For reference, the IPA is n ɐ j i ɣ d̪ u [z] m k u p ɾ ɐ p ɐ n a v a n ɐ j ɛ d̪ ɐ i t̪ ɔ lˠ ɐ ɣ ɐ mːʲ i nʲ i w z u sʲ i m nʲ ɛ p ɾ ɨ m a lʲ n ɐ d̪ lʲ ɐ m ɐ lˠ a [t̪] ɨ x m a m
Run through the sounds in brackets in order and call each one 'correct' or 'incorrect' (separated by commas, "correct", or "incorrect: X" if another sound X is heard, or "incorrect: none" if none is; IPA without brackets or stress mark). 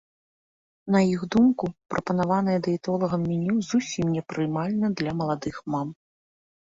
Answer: incorrect: none, incorrect: d̪